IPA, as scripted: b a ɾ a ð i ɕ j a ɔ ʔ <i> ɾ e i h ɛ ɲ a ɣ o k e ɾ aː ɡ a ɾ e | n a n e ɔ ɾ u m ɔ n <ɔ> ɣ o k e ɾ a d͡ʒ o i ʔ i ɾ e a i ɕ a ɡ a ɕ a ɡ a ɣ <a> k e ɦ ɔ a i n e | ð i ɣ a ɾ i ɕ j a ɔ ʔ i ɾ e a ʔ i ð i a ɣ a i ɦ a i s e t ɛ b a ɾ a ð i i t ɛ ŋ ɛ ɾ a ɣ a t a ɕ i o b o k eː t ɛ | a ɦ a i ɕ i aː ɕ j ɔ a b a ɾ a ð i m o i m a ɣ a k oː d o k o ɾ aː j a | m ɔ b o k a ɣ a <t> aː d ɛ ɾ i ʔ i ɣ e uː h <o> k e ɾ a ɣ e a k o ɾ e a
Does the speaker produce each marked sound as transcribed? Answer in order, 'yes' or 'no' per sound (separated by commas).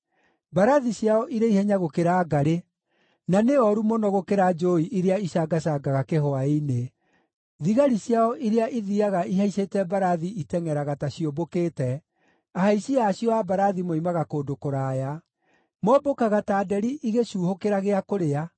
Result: yes, yes, yes, yes, yes